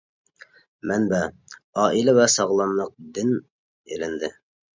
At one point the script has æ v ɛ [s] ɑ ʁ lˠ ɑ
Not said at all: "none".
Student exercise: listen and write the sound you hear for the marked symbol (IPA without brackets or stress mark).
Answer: s